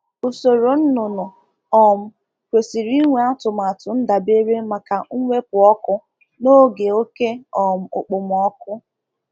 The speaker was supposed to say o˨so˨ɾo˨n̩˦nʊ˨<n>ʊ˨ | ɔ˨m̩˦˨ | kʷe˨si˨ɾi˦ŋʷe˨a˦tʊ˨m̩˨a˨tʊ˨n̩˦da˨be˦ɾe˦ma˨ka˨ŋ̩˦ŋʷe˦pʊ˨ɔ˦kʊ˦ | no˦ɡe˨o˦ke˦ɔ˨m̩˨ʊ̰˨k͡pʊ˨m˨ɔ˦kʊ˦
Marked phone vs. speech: correct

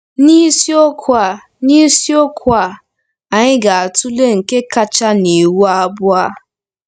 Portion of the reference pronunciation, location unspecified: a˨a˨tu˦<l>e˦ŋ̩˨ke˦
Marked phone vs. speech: correct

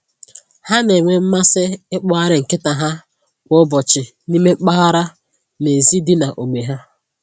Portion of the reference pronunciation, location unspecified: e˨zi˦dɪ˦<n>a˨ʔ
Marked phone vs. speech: correct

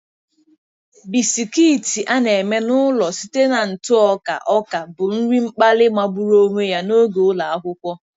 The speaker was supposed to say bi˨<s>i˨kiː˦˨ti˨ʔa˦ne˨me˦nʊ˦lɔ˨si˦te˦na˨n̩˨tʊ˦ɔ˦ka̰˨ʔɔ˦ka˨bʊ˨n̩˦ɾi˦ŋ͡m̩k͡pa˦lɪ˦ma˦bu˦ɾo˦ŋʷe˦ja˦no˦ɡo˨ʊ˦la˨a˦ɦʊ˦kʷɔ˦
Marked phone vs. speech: correct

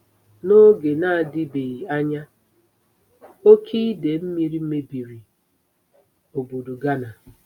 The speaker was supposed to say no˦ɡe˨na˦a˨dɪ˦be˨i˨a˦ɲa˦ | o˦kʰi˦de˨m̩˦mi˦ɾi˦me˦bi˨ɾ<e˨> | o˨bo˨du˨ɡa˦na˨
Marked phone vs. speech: incorrect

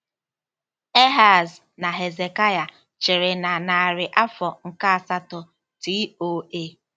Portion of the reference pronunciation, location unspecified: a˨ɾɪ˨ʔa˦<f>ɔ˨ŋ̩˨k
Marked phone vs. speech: correct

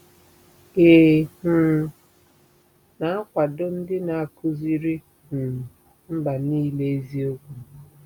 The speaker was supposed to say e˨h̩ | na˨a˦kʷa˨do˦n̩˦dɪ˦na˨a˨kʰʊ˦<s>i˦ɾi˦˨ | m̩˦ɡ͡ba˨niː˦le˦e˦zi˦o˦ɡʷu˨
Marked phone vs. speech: incorrect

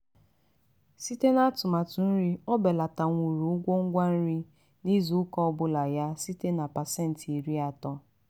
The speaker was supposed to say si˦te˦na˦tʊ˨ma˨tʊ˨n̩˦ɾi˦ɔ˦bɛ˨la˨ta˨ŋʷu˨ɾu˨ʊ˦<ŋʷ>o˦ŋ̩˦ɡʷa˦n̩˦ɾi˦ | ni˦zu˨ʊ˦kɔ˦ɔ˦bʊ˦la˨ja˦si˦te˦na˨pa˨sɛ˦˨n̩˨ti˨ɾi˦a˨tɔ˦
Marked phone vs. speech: incorrect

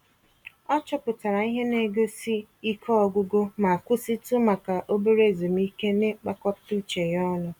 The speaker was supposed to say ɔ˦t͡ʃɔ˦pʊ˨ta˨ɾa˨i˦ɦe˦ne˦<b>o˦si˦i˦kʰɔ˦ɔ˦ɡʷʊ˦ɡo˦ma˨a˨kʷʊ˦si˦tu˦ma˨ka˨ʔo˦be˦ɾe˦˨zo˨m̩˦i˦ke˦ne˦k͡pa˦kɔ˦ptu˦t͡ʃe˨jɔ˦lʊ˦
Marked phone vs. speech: incorrect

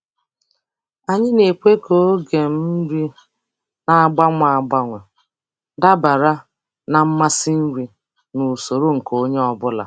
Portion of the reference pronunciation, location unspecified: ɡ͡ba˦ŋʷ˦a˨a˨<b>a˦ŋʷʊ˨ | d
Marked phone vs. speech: incorrect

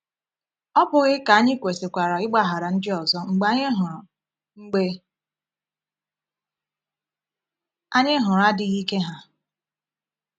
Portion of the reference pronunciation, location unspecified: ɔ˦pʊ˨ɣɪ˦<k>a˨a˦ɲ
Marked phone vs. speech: correct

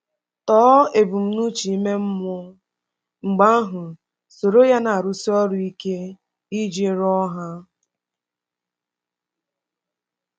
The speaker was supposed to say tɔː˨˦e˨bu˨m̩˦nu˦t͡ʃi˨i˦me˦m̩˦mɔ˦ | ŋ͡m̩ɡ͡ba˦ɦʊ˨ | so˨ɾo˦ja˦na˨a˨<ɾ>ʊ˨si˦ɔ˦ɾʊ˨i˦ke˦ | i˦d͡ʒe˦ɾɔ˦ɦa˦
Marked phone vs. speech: correct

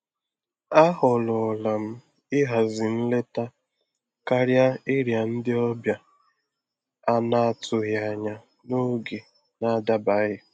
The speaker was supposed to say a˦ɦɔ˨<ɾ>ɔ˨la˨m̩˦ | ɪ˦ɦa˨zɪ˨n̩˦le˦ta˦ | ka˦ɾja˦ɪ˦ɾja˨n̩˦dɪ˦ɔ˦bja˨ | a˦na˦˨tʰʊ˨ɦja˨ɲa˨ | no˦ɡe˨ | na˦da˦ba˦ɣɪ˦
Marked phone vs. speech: incorrect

